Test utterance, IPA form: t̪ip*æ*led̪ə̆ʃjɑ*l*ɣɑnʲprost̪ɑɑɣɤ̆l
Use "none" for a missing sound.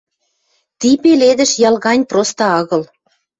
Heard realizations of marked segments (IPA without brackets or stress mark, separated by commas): e, l